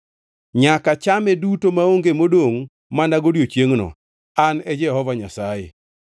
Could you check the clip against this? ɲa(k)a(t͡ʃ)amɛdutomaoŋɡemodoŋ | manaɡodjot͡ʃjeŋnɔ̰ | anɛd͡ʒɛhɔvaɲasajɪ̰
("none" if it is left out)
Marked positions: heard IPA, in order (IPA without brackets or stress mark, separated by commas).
k, t͡ʃ